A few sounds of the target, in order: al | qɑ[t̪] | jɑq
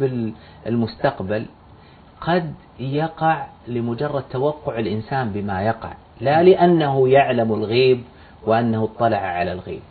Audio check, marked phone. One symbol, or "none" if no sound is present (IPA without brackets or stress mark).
d̪